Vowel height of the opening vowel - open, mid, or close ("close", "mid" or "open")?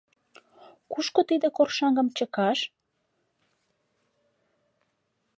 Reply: close